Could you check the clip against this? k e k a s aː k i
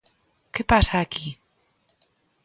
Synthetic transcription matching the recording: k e p a s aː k i